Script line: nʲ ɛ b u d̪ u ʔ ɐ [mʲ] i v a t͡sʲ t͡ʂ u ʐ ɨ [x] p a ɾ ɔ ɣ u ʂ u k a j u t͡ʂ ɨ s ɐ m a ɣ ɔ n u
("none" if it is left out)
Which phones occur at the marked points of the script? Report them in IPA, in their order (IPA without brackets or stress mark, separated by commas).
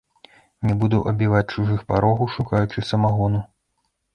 bʲ, x